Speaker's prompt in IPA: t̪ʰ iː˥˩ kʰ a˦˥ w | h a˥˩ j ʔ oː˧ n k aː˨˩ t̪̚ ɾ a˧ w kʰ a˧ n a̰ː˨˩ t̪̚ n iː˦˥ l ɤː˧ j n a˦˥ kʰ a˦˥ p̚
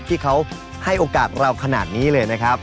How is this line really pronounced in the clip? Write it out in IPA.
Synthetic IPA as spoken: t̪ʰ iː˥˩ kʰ a˦˥ w | h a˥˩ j ʔ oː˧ k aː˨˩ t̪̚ ɾ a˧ w kʰ a˧ n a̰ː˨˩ t̪̚ n iː˦˥ l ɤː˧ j n a˦˥ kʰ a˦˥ p̚